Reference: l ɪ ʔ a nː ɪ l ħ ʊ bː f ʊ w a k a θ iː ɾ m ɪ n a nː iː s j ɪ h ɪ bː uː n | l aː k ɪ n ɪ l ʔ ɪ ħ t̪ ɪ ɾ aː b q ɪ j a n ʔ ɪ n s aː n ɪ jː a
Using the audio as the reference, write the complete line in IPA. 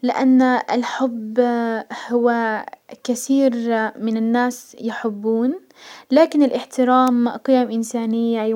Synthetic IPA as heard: l ɪ ʔ a nː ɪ l ħ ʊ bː h ʊ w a k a θ iː ɾ m ɪ n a nː aː s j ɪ ħ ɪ bː uː n | l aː k ɪ n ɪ l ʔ ɪ ħ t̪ ɪ ɾ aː m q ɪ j a m ʔ ɪ n s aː n ɪ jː a